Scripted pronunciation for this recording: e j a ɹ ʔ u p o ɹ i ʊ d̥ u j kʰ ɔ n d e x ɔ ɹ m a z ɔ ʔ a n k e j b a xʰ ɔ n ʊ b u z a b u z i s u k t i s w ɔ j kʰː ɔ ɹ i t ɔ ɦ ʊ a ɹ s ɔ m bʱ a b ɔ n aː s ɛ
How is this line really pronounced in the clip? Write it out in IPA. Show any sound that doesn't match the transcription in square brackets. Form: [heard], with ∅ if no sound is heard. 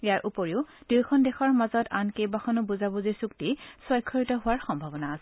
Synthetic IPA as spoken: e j a ɹ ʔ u p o ɹ i ʊ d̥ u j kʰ ɔ n d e x ɔ ɹ m a z ɔ [t] a n k e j b a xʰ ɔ n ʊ b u z a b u z i s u k t i s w ɔ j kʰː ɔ ɹ i t ɔ ɦ ʊ a ɹ [x] ɔ m bʱ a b ɔ n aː s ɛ